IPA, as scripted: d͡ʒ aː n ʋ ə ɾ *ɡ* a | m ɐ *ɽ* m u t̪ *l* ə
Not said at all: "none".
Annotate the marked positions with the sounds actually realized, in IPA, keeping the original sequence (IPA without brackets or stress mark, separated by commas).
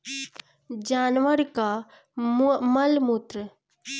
k, l, ɾ